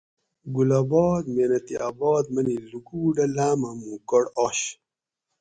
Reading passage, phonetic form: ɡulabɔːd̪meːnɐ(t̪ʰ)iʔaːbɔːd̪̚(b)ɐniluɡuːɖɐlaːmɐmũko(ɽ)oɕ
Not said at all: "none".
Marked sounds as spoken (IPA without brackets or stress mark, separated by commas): t̪, m, ɽ